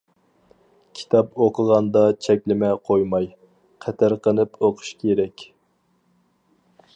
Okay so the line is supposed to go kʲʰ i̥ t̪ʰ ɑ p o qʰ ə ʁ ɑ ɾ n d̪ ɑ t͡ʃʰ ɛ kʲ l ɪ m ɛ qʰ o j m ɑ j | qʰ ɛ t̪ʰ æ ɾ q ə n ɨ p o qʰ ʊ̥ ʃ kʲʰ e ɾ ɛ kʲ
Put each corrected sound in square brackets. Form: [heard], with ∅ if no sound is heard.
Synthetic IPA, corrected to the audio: kʲʰ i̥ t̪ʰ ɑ p o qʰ ə ʁ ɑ [∅] n d̪ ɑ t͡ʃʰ ɛ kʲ l ɪ m ɛ qʰ o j m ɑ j | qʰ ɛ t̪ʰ æ ɾ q ə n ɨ p o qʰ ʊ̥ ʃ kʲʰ e ɾ ɛ kʲ